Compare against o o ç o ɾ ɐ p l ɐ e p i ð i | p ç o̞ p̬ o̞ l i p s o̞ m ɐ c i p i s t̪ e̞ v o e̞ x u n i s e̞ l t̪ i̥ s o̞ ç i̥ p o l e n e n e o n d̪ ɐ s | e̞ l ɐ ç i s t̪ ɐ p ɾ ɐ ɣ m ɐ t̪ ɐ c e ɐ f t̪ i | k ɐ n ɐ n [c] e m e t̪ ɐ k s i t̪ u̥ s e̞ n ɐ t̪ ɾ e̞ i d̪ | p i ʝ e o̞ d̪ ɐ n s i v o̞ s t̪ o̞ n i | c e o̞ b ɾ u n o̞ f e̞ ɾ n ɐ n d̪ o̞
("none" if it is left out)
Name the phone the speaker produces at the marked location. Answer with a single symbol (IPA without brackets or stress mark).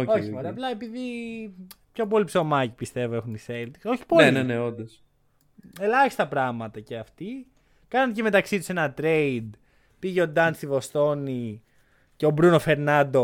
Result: c